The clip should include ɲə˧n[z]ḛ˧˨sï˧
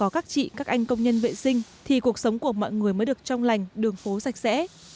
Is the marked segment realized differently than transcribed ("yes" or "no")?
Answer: yes